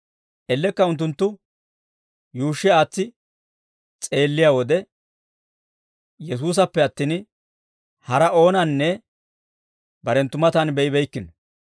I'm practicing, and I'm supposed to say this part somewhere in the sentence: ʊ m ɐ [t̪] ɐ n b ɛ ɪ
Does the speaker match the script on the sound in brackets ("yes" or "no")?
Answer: yes